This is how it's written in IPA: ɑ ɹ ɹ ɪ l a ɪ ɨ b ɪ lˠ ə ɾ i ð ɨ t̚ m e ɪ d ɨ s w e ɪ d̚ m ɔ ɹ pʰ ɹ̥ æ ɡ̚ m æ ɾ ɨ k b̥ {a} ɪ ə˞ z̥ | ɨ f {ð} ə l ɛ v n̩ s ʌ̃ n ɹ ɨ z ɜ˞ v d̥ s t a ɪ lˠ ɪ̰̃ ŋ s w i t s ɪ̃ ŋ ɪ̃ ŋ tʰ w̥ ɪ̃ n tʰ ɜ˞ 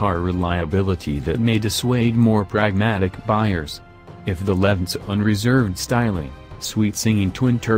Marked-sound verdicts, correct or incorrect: correct, correct

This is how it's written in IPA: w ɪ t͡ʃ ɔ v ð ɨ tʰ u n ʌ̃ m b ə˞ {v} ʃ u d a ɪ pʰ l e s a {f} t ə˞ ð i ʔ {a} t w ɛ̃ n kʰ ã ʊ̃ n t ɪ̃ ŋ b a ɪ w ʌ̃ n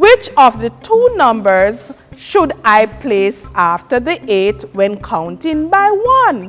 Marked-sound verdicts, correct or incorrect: incorrect: z, correct, incorrect: e

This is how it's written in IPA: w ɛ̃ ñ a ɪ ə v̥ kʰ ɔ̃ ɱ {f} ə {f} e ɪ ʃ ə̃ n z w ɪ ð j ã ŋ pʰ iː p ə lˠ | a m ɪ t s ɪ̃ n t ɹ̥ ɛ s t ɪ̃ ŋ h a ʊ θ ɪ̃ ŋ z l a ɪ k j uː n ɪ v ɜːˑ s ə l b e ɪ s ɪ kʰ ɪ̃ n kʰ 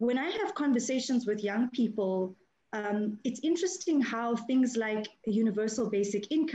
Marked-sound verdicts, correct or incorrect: incorrect: v, incorrect: s

